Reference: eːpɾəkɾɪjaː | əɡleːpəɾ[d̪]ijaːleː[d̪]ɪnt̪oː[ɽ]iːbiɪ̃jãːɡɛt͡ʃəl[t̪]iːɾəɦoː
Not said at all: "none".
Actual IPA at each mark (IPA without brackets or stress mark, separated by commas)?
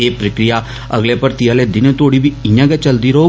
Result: t̪, d̪, ɽ, d̪